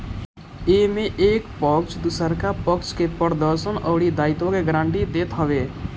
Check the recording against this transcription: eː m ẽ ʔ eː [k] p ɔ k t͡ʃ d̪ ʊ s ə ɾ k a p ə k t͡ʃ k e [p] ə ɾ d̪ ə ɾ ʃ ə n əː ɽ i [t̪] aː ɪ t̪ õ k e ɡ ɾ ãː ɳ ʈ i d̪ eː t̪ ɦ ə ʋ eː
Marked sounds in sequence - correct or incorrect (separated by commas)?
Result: correct, correct, incorrect